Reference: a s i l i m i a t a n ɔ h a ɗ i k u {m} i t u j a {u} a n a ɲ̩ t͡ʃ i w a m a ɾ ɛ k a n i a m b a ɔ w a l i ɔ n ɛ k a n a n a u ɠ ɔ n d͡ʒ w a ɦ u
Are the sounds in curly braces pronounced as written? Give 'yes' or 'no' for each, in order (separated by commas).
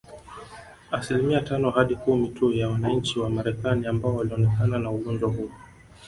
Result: yes, no